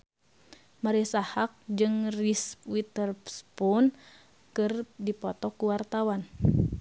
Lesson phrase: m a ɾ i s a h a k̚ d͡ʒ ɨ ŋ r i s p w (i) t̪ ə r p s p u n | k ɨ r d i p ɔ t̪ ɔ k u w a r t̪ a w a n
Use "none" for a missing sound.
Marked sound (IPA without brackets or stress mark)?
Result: i